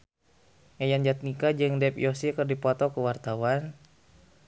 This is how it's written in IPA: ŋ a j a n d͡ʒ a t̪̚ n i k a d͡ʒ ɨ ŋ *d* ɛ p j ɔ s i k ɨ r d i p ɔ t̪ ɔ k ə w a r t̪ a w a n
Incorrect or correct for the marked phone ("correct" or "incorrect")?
correct